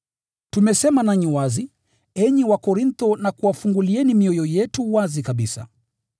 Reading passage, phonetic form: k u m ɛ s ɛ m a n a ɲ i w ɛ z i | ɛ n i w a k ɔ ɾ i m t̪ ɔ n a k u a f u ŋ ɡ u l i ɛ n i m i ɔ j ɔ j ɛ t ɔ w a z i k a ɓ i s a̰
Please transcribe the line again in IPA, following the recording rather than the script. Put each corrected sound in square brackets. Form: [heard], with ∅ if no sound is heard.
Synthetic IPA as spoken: [t] u m ɛ s ɛ m a n a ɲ i w [a] z i | ɛ [ɲ] i w a k ɔ ɾ i [n] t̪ ɔ n a k u a f u ŋ ɡ u l i ɛ n i m i ɔ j ɔ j ɛ t [u] w a z i k a ɓ i s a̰